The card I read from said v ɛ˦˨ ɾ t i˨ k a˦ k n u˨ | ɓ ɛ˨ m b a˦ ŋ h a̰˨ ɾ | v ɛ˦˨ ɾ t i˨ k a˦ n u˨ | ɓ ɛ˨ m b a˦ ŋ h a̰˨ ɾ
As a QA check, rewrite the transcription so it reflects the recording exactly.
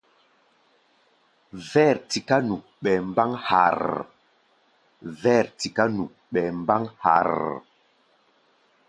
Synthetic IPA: v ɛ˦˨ ɾ t i˨ k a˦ n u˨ | ɓ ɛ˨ m b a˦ ŋ h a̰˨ ɾ | v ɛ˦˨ ɾ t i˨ k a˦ n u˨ | ɓ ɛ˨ m b a˦ ŋ h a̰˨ ɾ